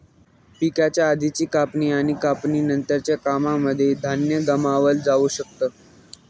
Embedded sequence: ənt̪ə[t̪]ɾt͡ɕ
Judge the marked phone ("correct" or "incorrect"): incorrect